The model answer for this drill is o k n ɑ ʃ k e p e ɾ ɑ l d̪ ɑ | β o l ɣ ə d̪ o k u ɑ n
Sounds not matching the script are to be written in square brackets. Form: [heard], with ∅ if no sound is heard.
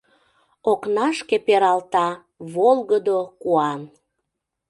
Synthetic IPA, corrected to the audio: o k n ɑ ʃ k e p e ɾ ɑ l [t̪] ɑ | β o l ɣ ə d̪ o k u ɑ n